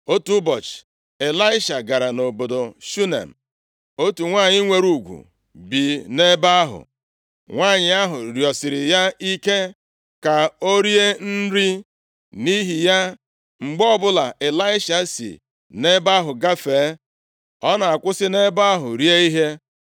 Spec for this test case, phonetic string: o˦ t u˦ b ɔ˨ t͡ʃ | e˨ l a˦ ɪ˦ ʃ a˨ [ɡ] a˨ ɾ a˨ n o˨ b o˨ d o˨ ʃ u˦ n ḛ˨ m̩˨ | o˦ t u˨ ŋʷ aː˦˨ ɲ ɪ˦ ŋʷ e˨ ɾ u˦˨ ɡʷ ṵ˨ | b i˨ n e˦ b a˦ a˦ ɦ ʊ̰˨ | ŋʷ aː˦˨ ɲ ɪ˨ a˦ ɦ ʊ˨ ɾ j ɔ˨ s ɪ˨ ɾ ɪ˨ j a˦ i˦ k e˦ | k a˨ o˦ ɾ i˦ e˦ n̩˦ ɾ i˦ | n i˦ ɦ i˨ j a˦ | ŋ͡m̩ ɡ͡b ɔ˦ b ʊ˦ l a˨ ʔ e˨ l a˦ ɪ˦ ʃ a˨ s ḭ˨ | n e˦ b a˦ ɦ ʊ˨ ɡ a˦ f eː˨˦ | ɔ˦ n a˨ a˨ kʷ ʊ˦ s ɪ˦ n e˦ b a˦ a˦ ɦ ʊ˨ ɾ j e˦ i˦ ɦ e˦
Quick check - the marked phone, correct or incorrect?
correct